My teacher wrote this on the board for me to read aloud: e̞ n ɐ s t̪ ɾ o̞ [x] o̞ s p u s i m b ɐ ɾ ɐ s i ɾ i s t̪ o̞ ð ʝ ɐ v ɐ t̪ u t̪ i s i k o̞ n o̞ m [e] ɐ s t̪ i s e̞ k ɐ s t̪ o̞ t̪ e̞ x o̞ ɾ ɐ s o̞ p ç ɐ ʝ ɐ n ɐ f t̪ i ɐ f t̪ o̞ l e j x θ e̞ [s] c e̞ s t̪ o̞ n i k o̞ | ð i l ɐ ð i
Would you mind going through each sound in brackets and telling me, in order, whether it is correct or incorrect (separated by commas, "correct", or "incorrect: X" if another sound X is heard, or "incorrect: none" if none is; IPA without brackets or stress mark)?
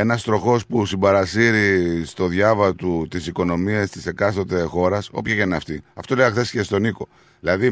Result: correct, incorrect: i, correct